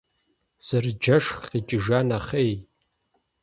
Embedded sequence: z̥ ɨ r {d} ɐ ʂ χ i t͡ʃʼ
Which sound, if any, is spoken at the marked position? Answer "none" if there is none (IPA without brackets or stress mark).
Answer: d͡ʒ